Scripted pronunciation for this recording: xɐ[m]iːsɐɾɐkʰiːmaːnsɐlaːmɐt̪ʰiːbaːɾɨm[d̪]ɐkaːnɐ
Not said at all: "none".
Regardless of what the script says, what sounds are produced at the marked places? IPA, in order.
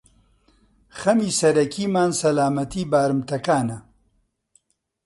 m, t̪

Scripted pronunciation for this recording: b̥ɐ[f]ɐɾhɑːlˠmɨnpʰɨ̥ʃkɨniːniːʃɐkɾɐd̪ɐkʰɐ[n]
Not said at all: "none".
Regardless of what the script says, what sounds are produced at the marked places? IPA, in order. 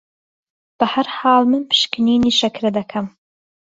h, m

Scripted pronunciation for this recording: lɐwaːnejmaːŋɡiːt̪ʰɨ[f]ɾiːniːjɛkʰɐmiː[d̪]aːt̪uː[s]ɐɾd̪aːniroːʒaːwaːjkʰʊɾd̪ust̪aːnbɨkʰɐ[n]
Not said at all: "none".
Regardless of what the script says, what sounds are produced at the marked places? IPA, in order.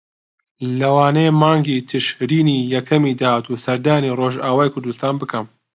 ʃ, d̪, s, m

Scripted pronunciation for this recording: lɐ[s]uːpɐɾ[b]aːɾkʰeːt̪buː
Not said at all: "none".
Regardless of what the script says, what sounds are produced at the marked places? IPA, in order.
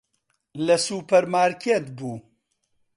s, m

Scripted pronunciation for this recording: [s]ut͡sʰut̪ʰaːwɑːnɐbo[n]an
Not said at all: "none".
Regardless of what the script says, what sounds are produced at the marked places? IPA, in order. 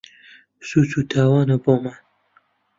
s, m

